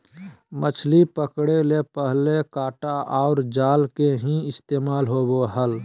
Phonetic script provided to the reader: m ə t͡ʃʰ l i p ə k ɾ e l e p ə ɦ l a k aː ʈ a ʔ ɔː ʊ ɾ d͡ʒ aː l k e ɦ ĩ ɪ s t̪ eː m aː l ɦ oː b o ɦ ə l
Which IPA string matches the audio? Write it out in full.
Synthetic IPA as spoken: m ə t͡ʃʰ l i p ə k ɽ e l e p ə ɦ l e k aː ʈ a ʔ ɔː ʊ ɾ d͡ʒ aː l k e ɦ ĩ ɪ s t̪ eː m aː l ɦ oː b o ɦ ə l